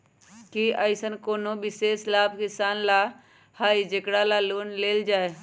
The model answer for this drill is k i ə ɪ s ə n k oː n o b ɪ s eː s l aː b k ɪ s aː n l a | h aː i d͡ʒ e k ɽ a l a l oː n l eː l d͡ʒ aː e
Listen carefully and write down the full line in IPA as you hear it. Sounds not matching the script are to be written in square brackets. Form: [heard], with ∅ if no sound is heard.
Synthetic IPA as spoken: k i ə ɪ s ə n k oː n o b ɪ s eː s l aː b k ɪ s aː n l a | h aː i d͡ʒ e k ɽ a l a l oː n l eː l d͡ʒ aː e